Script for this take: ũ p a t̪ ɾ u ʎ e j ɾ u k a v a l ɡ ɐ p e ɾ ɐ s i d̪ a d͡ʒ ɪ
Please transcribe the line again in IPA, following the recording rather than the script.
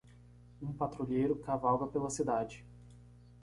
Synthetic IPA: ũ p a t̪ ɾ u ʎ e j ɾ ʊ k a v a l ɡ ɐ p e l ɐ s i d̪ a d͡ʒ ɪ